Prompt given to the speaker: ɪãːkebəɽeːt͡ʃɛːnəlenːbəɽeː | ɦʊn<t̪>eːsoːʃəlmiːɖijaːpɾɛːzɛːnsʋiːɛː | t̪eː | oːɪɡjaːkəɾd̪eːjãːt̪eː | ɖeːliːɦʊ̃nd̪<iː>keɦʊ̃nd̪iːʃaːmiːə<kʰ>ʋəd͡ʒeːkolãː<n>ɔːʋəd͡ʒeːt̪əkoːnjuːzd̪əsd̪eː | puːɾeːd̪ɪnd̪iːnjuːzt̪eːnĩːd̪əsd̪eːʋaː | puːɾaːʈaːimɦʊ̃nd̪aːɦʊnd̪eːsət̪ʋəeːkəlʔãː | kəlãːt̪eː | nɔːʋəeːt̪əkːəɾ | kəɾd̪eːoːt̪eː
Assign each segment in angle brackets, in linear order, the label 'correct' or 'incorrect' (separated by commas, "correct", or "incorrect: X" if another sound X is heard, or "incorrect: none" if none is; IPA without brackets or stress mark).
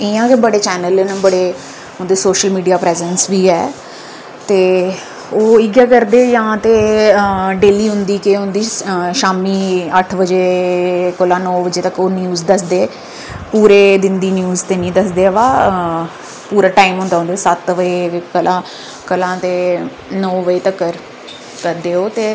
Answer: incorrect: d̪, correct, incorrect: ʈʰ, correct